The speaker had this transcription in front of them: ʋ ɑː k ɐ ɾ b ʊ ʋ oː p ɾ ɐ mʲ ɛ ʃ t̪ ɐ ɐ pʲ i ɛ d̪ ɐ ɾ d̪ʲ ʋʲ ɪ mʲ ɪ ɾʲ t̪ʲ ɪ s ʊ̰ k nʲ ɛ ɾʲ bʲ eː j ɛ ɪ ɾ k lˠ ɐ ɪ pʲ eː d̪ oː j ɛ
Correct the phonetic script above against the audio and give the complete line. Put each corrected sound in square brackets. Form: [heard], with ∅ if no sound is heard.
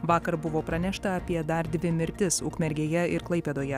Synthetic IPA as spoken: ʋ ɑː k ɐ ɾ b ʊ ʋ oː p ɾ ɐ [nʲ] ɛ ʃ t̪ ɐ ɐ pʲ i ɛ d̪ ɐ ɾ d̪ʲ ʋʲ ɪ mʲ ɪ ɾʲ t̪ʲ ɪ s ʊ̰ k [mʲ] ɛ ɾʲ [ɡʲ] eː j ɛ ɪ ɾ k lˠ ɐ ɪ pʲ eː d̪ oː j ɛ

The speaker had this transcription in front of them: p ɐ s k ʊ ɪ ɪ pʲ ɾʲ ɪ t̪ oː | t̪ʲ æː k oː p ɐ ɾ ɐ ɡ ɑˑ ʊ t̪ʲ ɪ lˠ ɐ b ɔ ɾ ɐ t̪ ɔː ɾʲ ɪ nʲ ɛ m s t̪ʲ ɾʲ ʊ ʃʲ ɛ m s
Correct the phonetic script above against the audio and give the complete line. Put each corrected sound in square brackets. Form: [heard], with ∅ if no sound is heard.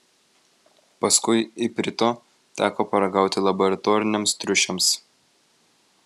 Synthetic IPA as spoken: p ɐ s k ʊ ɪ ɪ pʲ ɾʲ ɪ t̪ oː | t̪ʲ æː k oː p ɐ ɾ ɐ ɡ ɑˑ ʊ t̪ʲ ɪ lˠ ɐ b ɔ ɾ ɐ t̪ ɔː ɾʲ ɪ nʲ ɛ m s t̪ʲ ɾʲ ʊ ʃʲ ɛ m s

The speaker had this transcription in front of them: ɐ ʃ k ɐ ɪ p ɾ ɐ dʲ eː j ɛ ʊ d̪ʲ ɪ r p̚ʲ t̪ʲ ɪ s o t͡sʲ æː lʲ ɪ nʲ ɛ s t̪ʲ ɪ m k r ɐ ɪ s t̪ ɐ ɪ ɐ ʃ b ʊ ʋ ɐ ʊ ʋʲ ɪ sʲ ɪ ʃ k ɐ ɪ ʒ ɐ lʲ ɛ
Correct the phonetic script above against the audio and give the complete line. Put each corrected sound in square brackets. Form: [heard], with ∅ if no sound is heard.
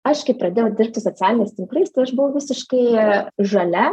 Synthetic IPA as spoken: ɐ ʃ k ɐ ɪ p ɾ ɐ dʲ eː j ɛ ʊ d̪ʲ ɪ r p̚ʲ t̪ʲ ɪ s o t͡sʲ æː lʲ ɪ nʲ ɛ s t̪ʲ ɪ [ŋ] k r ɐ ɪ s t̪ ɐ ɪ ɐ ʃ b ʊ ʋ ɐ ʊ ʋʲ ɪ sʲ ɪ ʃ k ɐ ɪ ʒ ɐ lʲ ɛ

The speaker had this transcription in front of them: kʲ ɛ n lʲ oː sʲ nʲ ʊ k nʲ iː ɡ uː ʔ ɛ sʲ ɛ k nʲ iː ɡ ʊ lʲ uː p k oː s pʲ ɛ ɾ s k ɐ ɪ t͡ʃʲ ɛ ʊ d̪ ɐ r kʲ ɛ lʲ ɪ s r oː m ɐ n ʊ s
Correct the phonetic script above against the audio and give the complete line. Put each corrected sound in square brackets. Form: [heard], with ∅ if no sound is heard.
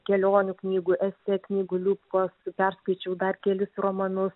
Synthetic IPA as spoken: kʲ ɛ [∅] lʲ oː [∅] nʲ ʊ k nʲ iː ɡ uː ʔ ɛ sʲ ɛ k nʲ iː ɡ ʊ lʲ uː p k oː s pʲ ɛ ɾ s k ɐ ɪ t͡ʃʲ ɛ ʊ d̪ ɐ r kʲ ɛ lʲ ɪ s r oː m ɐ n ʊ s

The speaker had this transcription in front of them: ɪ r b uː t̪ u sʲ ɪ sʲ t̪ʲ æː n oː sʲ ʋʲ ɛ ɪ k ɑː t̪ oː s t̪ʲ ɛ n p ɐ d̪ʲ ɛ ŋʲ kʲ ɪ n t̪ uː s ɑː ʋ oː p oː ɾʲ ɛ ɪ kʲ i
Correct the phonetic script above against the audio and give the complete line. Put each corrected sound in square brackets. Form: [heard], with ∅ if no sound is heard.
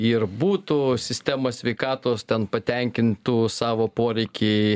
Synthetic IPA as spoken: ɪ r b uː t̪ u sʲ ɪ sʲ t̪ʲ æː [m] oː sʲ ʋʲ ɛ ɪ k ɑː t̪ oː s t̪ʲ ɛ n p ɐ [t̪ʲ] ɛ ŋʲ kʲ ɪ n t̪ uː s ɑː ʋ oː p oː ɾʲ ɛ ɪ kʲ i

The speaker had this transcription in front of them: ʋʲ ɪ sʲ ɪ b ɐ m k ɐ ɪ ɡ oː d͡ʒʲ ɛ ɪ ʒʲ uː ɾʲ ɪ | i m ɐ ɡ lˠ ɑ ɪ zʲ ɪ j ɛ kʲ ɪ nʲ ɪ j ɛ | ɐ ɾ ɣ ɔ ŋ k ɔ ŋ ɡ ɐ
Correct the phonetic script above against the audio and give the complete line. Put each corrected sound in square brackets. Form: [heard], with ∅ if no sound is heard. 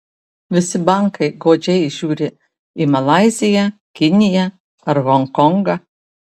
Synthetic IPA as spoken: ʋʲ ɪ sʲ ɪ b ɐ [ŋ] k ɐ ɪ ɡ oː d͡ʒʲ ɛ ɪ ʒʲ uː ɾʲ ɪ | i m ɐ [∅] lˠ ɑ ɪ zʲ ɪ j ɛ kʲ ɪ nʲ ɪ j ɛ | ɐ ɾ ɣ ɔ ŋ k ɔ ŋ ɡ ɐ

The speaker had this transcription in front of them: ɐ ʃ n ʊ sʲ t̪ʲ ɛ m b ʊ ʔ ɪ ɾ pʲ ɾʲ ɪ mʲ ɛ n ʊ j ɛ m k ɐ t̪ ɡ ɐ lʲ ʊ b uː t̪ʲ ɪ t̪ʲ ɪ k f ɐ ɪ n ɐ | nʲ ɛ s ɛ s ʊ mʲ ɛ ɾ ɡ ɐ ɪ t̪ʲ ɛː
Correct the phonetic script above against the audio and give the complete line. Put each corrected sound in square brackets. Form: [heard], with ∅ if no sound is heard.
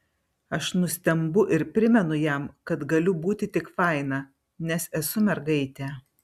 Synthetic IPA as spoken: ɐ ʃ n ʊ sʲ t̪ʲ ɛ m b ʊ ʔ ɪ ɾ pʲ ɾʲ ɪ mʲ ɛ n ʊ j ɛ m k ɐ t̪ ɡ ɐ lʲ ʊ b uː t̪ʲ ɪ t̪ʲ ɪ k f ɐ ɪ n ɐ | nʲ ɛ s ɛ s ʊ mʲ ɛ ɾ ɡ ɐ ɪ t̪ʲ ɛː

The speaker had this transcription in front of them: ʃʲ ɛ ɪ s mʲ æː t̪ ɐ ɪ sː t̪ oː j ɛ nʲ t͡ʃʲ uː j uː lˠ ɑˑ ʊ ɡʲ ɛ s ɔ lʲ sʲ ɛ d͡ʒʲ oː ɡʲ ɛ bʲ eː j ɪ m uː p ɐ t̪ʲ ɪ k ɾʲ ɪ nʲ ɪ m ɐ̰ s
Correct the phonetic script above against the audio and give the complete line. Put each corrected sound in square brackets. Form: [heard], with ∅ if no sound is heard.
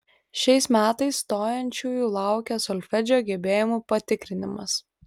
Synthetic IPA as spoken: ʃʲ ɛ ɪ s mʲ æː t̪ ɐ ɪ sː t̪ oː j ɛ nʲ t͡ʃʲ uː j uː lˠ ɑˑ ʊ [kʲ] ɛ s ɔ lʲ [fʲ] ɛ d͡ʒʲ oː ɡʲ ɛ bʲ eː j ɪ m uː p ɐ t̪ʲ ɪ k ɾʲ ɪ nʲ ɪ m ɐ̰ s

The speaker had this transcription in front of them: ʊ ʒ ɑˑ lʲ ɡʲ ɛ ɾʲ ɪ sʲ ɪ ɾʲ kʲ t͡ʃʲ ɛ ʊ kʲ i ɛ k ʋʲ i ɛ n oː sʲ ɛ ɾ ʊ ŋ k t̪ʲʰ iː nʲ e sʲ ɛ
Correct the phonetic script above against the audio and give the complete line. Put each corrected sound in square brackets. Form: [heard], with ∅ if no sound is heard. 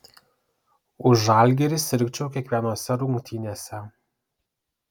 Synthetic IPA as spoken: ʊ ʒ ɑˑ lʲ ɡʲ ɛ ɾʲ ɪ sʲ ɪ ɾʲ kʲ t͡ʃʲ ɛ ʊ kʲ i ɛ k ʋʲ i ɛ n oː sʲ ɛ ɾ ʊ ŋ k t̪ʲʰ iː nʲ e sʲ ɛ

